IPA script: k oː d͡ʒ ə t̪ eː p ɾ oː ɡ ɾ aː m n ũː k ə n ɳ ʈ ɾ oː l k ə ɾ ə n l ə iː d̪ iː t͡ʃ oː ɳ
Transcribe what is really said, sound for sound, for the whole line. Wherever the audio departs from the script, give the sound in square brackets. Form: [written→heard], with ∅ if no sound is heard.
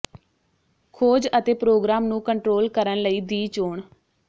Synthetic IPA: [k→kʰ] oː d͡ʒ ə t̪ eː p ɾ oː ɡ ɾ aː m n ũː k ə [n→∅] ɳ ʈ ɾ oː l k ə ɾ ə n l ə iː d̪ iː t͡ʃ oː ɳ